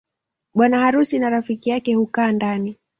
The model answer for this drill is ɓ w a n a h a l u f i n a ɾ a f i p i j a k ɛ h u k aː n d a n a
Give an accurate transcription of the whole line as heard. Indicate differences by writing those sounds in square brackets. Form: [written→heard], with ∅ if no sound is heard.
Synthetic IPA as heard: ɓ w a n a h a [l→ɾ] u [f→s] i n a ɾ a f i [p→k] i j a k ɛ h u k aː n d a n [a→i]